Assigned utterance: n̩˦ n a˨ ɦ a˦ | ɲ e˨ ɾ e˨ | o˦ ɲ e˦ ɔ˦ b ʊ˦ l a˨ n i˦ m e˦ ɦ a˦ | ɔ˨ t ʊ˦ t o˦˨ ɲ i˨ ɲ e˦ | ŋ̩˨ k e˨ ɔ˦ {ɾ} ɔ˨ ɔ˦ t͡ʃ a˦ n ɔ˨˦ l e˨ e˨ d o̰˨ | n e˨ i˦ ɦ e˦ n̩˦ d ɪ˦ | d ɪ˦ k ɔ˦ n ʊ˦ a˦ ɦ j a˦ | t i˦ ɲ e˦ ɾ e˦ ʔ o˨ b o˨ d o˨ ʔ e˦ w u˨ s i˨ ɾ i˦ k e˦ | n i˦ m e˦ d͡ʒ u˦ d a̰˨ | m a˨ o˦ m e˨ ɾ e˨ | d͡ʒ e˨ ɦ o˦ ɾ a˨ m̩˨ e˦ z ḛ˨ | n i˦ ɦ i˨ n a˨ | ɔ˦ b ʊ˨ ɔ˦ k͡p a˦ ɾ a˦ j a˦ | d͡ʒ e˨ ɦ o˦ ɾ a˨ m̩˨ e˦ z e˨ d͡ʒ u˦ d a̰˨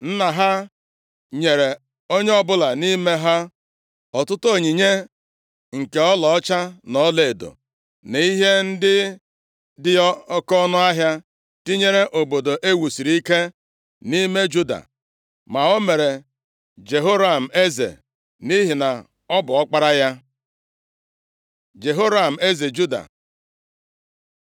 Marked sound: incorrect: l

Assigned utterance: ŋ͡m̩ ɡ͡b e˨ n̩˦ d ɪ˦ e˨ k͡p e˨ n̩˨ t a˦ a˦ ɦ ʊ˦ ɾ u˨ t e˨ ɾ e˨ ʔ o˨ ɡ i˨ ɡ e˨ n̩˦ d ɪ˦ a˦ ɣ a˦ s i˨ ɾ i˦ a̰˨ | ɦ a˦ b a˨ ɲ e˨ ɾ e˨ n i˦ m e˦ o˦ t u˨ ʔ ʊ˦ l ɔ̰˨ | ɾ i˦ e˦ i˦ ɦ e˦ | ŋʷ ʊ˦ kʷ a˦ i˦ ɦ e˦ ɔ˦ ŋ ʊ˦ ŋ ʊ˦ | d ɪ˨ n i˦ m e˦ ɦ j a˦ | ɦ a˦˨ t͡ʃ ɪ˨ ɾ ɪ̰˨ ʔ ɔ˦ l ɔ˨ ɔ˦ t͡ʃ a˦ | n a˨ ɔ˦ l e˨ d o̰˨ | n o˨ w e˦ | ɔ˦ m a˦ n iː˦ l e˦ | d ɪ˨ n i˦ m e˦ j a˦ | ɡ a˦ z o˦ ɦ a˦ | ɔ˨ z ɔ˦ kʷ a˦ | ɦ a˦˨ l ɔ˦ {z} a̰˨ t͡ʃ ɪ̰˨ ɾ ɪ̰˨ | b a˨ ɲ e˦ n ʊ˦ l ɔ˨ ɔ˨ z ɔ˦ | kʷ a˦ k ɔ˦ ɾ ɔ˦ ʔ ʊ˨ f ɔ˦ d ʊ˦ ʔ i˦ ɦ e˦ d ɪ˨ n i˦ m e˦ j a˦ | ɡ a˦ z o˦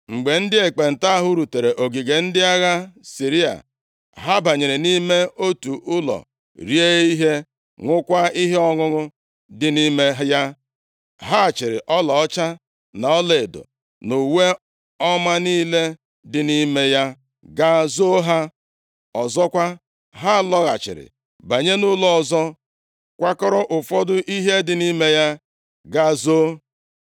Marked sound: incorrect: ɣ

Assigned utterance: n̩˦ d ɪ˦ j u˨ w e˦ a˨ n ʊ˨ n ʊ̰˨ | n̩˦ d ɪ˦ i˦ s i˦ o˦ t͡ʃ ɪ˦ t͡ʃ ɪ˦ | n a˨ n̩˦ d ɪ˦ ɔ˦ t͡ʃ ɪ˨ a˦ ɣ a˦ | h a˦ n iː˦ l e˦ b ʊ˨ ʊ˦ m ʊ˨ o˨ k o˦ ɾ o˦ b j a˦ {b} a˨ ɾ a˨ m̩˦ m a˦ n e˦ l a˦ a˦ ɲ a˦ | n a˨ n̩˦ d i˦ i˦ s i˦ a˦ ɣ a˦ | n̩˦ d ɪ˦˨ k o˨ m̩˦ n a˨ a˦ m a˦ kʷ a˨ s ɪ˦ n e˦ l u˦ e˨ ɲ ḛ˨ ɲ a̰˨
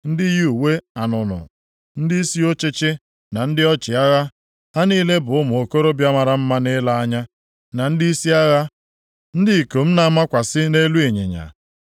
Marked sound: incorrect: m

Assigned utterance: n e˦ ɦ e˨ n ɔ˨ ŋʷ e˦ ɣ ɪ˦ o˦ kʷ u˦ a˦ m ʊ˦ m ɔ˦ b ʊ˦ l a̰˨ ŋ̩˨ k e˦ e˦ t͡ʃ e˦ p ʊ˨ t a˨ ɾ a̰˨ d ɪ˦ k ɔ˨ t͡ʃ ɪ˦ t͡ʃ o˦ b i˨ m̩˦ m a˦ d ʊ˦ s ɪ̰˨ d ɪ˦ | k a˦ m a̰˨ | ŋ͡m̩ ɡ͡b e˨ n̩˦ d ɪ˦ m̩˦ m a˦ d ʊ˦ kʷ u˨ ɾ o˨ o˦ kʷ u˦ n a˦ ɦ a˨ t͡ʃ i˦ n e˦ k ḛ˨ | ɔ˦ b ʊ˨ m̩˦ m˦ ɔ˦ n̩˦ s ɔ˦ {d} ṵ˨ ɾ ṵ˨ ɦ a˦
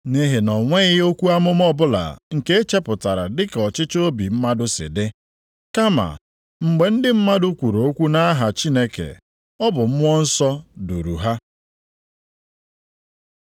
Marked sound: correct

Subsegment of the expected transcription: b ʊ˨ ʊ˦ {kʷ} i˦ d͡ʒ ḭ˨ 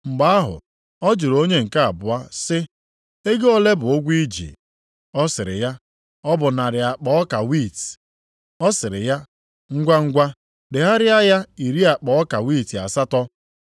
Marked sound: incorrect: ɡʷ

